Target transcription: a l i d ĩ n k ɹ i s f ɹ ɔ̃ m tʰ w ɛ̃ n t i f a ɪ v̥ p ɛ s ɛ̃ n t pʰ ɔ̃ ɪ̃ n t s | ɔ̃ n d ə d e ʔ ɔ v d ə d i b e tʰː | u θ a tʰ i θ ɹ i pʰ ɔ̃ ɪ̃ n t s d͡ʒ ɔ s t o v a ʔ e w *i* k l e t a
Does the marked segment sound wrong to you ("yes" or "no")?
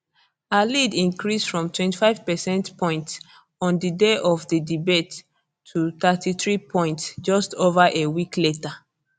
no